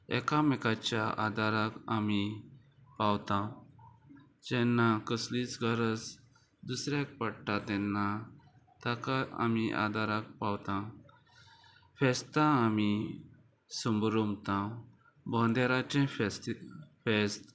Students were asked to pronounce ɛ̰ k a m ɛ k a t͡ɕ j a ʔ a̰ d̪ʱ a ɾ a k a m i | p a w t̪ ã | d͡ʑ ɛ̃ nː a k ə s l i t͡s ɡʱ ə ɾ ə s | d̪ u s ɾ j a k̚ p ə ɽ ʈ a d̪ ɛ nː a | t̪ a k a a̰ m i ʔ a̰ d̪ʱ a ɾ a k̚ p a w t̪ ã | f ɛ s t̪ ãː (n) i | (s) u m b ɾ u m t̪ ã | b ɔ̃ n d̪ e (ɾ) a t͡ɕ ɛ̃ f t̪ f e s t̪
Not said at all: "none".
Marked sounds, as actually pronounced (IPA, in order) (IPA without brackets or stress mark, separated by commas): m, s, ɾ